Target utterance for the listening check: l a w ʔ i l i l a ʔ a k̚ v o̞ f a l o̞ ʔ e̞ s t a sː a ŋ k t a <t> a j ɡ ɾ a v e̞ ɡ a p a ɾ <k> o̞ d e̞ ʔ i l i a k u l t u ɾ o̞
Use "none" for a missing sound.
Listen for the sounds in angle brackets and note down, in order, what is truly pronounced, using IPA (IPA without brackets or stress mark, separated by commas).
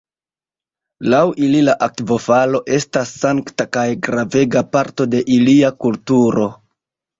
k, t